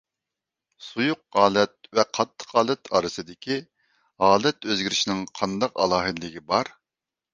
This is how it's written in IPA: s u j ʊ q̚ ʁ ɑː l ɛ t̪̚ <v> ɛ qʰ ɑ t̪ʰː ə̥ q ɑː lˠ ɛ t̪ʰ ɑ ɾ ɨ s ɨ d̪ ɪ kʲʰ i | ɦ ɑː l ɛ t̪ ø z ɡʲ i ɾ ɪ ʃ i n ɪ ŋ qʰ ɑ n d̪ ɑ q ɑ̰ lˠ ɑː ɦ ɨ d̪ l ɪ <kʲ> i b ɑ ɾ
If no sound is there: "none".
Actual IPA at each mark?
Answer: v, ɡʲ

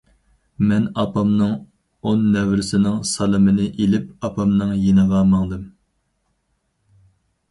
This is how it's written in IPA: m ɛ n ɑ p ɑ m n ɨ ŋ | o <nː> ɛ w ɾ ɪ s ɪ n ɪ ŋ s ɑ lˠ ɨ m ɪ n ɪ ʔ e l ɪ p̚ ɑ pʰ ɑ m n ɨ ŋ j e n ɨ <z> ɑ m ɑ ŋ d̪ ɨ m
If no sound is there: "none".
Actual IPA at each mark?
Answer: nː, ʁ

